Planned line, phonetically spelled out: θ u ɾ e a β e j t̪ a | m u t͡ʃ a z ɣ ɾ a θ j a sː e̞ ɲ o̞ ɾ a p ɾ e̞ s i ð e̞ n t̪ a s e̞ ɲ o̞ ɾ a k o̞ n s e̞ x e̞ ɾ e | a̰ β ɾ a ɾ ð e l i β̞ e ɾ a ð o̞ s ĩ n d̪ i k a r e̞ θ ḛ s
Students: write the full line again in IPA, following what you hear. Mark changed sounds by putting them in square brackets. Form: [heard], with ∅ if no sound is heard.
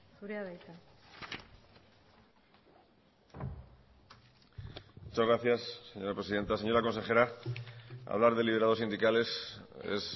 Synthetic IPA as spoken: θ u ɾ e a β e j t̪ a | m u t͡ʃ a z ɣ ɾ a θ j a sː e̞ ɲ o̞ ɾ a p ɾ e̞ s i ð e̞ n t̪ a s e̞ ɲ o̞ ɾ a k o̞ n s e̞ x e̞ ɾ [a] | a̰ β [l] a ɾ ð e l i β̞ e ɾ a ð o̞ s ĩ n d̪ i k a [l] e̞ [s] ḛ s